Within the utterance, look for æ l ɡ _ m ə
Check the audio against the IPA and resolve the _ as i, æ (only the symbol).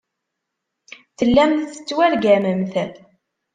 æ